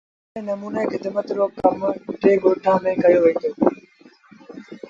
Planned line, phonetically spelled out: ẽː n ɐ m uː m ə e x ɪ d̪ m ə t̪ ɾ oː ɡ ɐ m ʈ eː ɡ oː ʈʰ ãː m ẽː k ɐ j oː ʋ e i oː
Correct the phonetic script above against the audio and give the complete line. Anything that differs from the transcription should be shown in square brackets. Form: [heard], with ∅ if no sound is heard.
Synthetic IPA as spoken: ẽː n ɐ m uː [n] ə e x ɪ d̪ m ə t̪ ɾ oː [k] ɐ m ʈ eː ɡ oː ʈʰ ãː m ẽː k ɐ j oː ʋ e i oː